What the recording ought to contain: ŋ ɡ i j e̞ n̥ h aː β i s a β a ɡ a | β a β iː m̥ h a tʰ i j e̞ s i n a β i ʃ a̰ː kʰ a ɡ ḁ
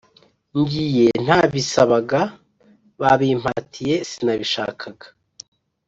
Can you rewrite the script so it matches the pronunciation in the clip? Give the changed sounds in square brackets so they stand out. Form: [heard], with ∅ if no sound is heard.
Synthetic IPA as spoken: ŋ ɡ i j e̞ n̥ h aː β i s a β a ɡ a | β a β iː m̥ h a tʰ i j e̞ s i n a β i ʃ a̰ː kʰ a ɡ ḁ